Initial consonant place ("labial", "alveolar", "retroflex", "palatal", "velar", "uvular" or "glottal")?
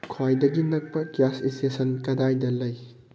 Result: velar